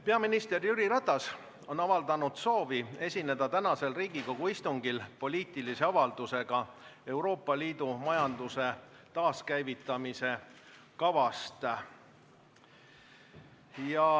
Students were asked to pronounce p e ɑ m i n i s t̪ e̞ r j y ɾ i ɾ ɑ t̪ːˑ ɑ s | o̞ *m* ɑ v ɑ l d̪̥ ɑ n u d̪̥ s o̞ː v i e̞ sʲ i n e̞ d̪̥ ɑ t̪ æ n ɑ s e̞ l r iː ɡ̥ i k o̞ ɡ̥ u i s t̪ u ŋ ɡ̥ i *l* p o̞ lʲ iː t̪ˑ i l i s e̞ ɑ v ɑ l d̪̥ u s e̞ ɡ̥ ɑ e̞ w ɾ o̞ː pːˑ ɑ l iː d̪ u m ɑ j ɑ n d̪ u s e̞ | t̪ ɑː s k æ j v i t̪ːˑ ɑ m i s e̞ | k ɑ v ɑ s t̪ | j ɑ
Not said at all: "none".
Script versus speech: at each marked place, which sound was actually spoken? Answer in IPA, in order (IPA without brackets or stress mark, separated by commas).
n, l